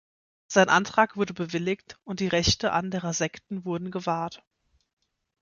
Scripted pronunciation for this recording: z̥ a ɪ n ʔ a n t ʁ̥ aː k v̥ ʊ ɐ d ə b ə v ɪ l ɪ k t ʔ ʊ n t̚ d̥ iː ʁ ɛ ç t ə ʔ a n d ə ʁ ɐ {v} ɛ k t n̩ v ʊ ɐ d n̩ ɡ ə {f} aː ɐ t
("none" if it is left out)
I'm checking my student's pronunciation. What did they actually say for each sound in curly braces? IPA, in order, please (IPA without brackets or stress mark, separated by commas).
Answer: z, v